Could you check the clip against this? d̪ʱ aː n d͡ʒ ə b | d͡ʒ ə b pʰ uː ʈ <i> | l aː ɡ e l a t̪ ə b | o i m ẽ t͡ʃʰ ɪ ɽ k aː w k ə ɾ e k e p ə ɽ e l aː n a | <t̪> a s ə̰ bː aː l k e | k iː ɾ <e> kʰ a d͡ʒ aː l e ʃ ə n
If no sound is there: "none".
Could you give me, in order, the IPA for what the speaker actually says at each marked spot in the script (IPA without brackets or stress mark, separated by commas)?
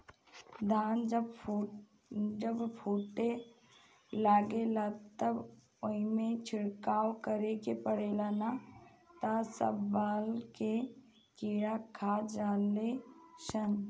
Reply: e, t̪, a